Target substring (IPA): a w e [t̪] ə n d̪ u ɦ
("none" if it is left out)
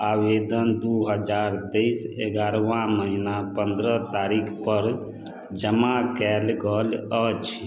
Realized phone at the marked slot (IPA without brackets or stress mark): d̪